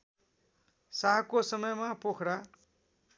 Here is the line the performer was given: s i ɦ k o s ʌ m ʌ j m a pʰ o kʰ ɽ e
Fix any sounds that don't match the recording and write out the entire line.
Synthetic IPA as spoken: s a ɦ k o s ʌ m ʌ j m a p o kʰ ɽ a

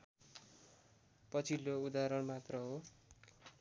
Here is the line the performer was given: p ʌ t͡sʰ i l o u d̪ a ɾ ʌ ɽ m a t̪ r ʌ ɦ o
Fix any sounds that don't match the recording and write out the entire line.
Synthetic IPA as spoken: p ʌ t͡sʰ i l o u d̪ a ɾ ʌ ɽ m a t̪ r ʌ ɦ o

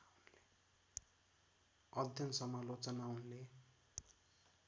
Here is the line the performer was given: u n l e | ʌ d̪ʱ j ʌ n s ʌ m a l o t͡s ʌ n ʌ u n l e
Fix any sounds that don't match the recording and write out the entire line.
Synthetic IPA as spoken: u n l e | ʌ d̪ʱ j ʌ n s ʌ m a l o t͡s ʌ n a u n l e

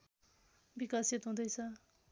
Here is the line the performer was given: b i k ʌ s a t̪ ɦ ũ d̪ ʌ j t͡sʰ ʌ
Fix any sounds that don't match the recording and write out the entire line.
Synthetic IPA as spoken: b i k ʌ s i t̪ ɦ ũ d̪ ʌ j t͡sʰ ʌ

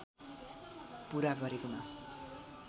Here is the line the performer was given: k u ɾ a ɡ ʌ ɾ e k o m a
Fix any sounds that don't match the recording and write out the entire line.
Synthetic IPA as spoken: p u ɾ a ɡ ʌ ɾ e k o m a

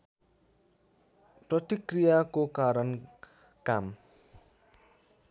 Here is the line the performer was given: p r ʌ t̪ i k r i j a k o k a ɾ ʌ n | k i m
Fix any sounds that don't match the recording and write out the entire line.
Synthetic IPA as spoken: p r ʌ t̪ i k r i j a k o k a ɾ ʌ n | k a m

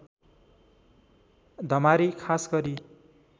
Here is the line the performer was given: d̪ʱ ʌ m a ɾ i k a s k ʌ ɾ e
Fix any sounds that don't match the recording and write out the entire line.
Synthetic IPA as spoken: d̪ʱ ʌ m a ɾ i kʰ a s ɡ ʌ ɾ i

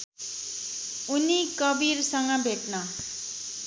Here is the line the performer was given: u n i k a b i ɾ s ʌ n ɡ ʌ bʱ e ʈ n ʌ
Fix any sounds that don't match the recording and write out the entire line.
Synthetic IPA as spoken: u n i k ʌ b i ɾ s ʌ ŋ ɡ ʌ bʱ e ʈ n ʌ

